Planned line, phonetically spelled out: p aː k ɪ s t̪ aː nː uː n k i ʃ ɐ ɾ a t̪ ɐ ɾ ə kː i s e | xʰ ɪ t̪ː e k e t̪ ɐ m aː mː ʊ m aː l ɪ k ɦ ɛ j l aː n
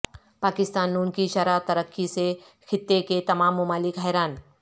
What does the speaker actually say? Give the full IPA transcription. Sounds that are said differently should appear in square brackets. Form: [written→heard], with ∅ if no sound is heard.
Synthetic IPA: p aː k ɪ s t̪ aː nː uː n k i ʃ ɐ ɾ a t̪ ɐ ɾ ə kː i s e | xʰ ɪ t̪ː e k e t̪ ɐ m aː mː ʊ m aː l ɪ k ɦ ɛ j [l→ɾ] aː n

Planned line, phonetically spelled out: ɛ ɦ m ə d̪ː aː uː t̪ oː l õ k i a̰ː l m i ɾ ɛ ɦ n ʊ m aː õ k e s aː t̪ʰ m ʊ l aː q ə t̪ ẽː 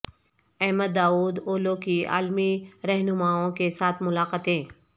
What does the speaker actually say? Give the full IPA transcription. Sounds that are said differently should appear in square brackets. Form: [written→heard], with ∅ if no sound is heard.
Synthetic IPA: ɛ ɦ m ə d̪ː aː uː [t̪→d̪] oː l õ k i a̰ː l m i ɾ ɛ ɦ n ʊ m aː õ k e s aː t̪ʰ m ʊ l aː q ə t̪ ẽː

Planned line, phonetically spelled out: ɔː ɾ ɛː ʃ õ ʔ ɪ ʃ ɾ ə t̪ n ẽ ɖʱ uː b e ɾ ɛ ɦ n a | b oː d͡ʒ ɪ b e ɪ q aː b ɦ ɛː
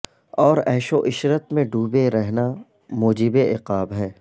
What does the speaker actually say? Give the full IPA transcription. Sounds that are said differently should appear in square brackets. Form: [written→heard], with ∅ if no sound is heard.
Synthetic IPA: ɔː ɾ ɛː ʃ [õ→o] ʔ ɪ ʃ ɾ ə t̪ [n→m] ẽ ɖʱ uː b e ɾ ɛ ɦ n a | [b→m] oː d͡ʒ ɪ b e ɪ q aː b ɦ ɛː

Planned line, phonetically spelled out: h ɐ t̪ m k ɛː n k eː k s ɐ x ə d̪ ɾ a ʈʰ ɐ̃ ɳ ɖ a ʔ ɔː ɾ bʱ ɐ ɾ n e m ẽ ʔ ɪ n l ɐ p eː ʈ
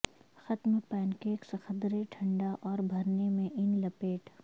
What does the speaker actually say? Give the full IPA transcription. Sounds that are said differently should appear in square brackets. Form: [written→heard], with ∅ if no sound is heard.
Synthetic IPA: [h→x] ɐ t̪ m [k→p] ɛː n k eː k s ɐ x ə d̪ ɾ [a→e] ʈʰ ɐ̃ ɳ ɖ a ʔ ɔː ɾ bʱ ɐ ɾ n e m ẽ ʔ ɪ n l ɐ p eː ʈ

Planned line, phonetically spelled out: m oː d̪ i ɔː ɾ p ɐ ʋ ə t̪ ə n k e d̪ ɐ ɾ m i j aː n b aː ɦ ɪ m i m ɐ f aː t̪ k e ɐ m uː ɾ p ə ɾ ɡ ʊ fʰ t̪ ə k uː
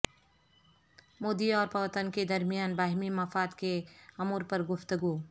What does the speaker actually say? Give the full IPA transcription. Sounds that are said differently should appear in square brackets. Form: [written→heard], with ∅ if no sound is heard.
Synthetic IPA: m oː d̪ i ɔː ɾ p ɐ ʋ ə t̪ ə n k e d̪ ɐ ɾ m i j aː n b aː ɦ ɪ m i m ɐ f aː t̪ k e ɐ m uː ɾ p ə ɾ ɡ ʊ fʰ t̪ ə [k→ɡ] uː

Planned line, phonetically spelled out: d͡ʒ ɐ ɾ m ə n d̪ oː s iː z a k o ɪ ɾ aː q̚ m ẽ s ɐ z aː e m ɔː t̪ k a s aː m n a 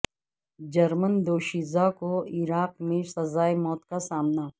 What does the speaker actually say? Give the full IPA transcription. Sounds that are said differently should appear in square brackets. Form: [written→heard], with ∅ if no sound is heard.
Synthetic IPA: d͡ʒ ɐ ɾ m ə n d̪ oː [s→ʃ] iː z a k o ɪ ɾ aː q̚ m ẽ s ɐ z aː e m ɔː t̪ k a s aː m n a

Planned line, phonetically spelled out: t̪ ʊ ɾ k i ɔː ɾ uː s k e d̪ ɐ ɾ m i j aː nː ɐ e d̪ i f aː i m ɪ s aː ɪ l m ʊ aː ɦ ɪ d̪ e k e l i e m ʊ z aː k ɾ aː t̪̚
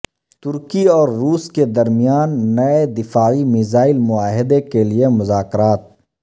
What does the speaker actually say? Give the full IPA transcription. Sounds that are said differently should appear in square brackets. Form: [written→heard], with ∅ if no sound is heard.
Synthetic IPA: t̪ ʊ ɾ k i ɔː [ɾ→ɾː] uː s k e d̪ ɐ ɾ m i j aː nː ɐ e d̪ [i→ɪ] f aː i m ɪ [s→z] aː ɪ l m ʊ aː ɦ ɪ d̪ e k e l i e m ʊ z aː k ɾ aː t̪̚

